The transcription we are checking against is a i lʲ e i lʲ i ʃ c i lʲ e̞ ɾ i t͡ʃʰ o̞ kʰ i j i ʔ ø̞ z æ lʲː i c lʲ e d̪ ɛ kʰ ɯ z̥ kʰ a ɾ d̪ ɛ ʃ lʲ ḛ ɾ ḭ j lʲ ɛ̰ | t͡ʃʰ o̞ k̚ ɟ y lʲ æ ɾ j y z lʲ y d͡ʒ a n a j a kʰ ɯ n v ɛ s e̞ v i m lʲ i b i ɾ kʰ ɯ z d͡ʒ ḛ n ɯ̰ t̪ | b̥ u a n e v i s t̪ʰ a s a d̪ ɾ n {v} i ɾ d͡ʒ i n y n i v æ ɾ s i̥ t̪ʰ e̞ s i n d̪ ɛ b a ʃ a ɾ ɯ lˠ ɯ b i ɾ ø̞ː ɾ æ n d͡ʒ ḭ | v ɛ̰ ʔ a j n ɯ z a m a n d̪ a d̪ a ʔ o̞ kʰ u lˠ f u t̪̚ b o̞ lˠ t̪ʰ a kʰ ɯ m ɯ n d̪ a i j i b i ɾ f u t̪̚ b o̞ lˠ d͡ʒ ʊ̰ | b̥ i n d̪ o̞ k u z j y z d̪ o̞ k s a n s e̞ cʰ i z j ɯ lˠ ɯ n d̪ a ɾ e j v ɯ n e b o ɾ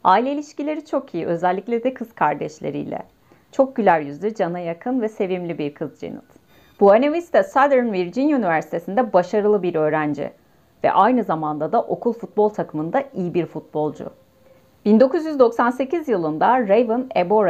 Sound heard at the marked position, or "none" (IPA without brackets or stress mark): v